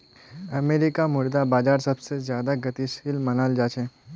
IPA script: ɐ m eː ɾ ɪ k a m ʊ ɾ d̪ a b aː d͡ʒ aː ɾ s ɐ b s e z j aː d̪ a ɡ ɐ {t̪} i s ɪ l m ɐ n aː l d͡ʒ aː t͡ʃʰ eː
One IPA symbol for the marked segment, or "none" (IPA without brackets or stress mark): t̪